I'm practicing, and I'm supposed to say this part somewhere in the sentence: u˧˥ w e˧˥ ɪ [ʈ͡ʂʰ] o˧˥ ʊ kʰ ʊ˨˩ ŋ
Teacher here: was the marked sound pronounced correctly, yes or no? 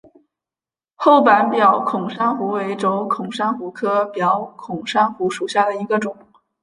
no